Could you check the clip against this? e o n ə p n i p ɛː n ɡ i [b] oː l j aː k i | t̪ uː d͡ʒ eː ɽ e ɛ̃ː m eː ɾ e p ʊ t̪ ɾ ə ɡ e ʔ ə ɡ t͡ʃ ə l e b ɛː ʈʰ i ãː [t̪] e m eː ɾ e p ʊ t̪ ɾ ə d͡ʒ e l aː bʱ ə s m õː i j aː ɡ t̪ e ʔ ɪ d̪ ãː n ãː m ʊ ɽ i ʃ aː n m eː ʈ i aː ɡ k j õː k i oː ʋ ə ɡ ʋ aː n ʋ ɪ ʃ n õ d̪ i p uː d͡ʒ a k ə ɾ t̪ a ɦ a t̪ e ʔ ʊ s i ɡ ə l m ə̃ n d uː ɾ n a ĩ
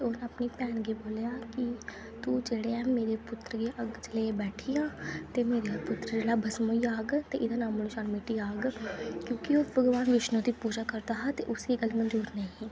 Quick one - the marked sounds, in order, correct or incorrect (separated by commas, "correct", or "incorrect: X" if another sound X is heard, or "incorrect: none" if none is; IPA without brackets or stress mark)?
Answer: correct, correct